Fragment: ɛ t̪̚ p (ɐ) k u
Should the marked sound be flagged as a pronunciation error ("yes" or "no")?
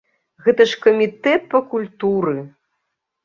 no